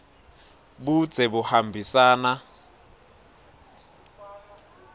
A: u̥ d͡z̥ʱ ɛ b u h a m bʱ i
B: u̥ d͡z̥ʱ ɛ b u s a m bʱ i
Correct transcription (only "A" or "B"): A